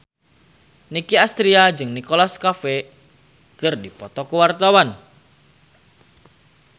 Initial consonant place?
alveolar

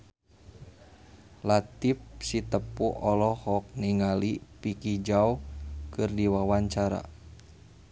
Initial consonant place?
alveolar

